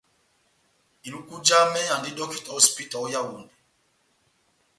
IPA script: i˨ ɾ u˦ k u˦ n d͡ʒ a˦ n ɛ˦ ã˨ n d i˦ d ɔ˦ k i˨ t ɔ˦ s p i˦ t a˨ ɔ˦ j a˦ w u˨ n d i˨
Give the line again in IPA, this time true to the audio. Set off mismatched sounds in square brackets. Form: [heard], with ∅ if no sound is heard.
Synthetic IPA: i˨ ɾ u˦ k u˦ [∅] d͡ʒ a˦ [m] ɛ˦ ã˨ n d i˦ d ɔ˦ k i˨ t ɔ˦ s p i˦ t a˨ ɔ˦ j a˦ w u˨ n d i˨